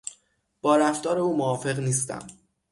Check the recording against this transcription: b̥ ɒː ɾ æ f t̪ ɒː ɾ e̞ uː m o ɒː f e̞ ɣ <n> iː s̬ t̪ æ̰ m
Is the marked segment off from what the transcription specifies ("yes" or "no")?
no